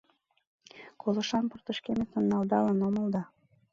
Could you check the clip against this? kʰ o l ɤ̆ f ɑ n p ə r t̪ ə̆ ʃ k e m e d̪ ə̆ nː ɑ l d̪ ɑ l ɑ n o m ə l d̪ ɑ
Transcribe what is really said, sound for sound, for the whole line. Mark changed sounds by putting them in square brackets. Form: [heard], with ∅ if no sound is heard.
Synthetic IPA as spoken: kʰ o l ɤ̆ [ʃ] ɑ n p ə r t̪ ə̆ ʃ k e m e [t̪] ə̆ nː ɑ l d̪ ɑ l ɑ n o m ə l d̪ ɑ